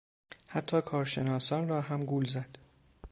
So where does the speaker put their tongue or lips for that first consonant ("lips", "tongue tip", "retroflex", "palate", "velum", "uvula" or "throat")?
throat